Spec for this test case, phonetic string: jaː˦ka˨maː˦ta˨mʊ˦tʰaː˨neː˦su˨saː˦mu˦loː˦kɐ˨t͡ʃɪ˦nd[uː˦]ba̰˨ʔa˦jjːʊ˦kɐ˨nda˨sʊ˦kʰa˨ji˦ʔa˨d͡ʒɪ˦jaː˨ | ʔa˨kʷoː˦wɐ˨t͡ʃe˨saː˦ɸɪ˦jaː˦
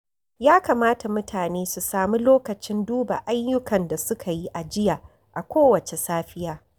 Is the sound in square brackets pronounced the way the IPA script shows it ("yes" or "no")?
yes